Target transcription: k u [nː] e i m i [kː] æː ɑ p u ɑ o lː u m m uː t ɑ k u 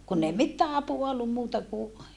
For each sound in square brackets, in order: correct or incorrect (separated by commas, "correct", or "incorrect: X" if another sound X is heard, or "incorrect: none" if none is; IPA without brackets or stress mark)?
correct, incorrect: tː